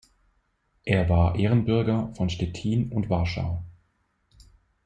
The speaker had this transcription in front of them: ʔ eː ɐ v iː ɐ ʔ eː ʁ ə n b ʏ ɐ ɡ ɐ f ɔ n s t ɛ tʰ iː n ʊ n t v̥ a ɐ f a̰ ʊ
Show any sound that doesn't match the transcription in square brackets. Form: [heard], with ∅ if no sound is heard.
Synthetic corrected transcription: ʔ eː ɐ v [aː] ɐ ʔ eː ʁ ə n b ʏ ɐ ɡ ɐ f ɔ n [ʃ] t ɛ tʰ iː n ʊ n t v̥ a ɐ [ʃ] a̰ ʊ